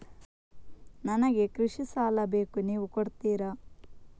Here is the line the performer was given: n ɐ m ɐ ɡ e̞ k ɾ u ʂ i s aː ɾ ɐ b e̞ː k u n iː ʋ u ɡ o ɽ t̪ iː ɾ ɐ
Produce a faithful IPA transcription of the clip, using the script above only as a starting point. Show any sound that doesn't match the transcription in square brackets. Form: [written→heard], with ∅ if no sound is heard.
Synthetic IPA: n ɐ [m→n] ɐ ɡ e̞ k ɾ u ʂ i s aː [ɾ→l] ɐ b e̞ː k u n iː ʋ u [ɡ→k] o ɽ t̪ iː ɾ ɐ